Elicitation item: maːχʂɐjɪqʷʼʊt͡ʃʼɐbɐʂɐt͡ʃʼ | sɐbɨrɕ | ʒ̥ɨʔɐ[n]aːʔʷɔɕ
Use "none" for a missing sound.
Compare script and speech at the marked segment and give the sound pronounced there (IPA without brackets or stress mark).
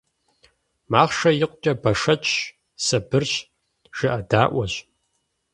d